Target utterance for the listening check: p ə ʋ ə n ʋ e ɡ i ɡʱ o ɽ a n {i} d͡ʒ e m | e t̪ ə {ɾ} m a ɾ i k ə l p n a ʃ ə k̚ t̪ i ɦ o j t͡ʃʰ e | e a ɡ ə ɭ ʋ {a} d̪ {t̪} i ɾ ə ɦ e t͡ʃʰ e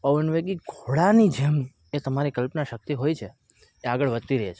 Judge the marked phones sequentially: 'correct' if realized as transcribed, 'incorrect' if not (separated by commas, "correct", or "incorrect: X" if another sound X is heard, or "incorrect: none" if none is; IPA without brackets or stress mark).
correct, incorrect: none, incorrect: ə, correct